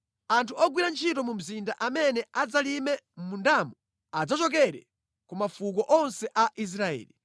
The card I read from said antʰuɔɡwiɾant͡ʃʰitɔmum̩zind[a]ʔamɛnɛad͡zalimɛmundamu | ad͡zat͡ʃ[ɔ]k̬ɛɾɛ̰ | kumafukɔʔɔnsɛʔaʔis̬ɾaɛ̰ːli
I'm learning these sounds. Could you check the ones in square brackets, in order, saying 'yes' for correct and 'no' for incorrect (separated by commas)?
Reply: yes, yes